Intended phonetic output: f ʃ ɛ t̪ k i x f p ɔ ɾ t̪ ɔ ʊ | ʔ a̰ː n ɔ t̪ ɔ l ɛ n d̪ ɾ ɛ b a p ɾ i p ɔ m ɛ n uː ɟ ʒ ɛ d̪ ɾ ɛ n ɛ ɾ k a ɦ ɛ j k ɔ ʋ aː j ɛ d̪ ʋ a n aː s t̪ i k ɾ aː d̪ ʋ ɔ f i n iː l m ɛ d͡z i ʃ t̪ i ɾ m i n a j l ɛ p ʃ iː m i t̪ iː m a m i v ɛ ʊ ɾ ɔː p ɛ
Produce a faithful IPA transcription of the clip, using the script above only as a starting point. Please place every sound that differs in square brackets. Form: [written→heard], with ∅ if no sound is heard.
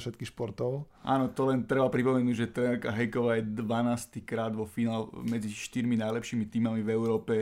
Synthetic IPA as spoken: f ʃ ɛ t̪ k i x [f→ʃ] p ɔ ɾ t̪ ɔ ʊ | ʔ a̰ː n ɔ t̪ ɔ l ɛ n [d̪→t̪] ɾ ɛ b a p ɾ i p ɔ m ɛ n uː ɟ ʒ ɛ [d̪→t̪] ɾ ɛ n ɛ ɾ k a ɦ ɛ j k ɔ ʋ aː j ɛ d̪ ʋ a n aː s t̪ i k ɾ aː d̪ ʋ ɔ f i n [iː→aː] l m ɛ d͡z i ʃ t̪ i ɾ m i n a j l ɛ p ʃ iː m i t̪ iː m a m i v ɛ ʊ ɾ ɔː p ɛ